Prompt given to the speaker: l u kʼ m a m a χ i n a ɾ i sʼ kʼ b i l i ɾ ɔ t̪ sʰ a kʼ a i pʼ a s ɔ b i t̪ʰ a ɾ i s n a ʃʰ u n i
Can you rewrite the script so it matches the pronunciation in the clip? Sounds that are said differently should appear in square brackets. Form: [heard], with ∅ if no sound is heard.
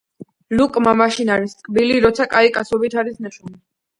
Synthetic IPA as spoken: l u kʼ m a m a [ʃ] i n a ɾ i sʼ kʼ b i l i ɾ ɔ t̪ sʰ a kʼ a i [kʼ] a s ɔ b i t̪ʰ a ɾ i s n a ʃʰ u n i